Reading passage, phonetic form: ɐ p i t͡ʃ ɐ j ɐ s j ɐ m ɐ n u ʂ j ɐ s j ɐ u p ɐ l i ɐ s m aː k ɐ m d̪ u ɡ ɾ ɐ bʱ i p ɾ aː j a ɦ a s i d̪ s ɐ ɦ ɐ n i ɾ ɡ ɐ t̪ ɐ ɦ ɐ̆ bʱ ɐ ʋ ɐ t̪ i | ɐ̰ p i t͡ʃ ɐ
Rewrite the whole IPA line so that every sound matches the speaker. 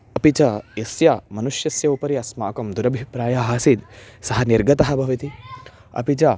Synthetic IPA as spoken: ɐ p i t͡ʃ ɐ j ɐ s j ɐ m ɐ n u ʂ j ɐ s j ɐ u p ɐ ɾ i ɐ s m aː k ɐ m d̪ u ɾ ɐ bʱ i p ɾ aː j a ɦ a s i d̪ s ɐ ɦ ɐ n i ɾ ɡ ɐ t̪ ɐ ɦ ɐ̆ bʱ ɐ ʋ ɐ t̪ i | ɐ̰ p i t͡ʃ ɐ